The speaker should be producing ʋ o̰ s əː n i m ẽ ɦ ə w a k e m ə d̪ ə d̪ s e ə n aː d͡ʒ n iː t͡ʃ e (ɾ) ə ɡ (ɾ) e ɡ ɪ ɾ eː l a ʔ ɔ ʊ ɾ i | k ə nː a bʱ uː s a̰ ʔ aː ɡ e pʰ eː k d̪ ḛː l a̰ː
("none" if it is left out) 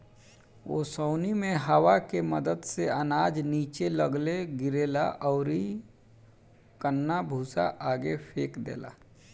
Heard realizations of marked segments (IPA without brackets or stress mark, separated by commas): l, l